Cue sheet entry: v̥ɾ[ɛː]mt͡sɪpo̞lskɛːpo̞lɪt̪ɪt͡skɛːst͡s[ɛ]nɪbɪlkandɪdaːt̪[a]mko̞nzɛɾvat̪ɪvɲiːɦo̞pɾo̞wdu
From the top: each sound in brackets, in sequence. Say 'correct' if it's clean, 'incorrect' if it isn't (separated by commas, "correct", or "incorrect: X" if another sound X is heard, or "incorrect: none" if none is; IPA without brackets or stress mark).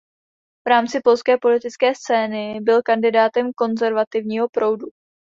incorrect: aː, incorrect: ɛː, incorrect: ɛ